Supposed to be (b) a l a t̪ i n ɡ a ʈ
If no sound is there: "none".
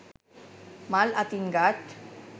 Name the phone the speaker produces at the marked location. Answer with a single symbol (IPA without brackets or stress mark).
m